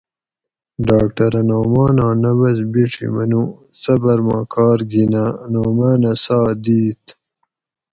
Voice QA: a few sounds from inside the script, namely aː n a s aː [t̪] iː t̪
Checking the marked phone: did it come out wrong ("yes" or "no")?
yes